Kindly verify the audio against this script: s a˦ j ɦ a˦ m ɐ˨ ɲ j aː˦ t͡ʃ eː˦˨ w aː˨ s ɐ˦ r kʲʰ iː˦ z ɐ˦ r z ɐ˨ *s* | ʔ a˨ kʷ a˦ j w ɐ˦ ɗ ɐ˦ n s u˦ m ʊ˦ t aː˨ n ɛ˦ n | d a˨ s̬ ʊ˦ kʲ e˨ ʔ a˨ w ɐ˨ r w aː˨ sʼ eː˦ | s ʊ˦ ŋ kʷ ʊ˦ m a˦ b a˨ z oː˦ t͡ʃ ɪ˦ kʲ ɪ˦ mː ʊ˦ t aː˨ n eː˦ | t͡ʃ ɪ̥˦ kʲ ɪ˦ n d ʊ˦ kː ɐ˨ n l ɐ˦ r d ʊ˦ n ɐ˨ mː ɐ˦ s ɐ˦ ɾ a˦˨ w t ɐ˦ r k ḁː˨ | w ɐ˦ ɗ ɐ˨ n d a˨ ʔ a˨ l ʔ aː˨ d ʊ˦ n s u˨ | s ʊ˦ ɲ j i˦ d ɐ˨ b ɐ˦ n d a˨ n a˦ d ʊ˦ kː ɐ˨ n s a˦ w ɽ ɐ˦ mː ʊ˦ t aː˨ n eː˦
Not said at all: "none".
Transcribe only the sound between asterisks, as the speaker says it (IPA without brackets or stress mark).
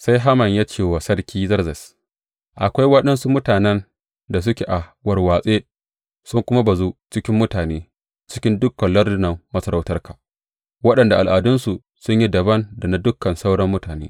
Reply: s